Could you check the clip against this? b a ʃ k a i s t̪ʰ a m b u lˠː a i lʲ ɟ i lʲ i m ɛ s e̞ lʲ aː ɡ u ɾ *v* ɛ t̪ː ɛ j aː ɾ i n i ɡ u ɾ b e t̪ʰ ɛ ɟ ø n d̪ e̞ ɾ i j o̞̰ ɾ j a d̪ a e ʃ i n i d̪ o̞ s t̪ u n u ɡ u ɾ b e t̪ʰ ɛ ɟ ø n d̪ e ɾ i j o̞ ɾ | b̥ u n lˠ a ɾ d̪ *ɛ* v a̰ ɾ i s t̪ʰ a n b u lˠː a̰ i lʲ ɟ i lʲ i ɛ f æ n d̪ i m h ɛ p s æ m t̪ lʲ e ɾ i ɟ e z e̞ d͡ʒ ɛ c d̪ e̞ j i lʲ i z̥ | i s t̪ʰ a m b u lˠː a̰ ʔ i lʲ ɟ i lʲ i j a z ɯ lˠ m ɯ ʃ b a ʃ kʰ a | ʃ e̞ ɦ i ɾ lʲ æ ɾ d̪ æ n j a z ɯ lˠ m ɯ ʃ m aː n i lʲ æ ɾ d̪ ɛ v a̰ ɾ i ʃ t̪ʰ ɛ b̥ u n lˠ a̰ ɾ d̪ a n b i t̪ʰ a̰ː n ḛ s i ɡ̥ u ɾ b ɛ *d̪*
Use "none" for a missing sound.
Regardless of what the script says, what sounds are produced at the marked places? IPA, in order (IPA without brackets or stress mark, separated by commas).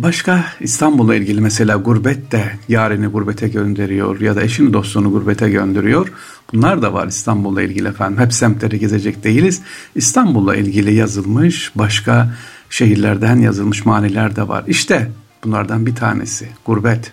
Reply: b, a, t̪